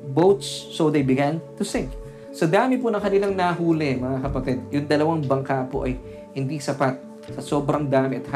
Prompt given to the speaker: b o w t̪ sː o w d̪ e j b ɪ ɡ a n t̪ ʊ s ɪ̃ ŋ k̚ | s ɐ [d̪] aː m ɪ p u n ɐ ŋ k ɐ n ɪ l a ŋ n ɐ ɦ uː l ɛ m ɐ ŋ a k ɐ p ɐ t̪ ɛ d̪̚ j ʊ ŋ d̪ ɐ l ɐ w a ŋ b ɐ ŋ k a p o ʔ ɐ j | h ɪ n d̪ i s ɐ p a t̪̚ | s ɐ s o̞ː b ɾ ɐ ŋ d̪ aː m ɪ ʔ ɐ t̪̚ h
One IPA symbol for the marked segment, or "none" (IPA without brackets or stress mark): d̪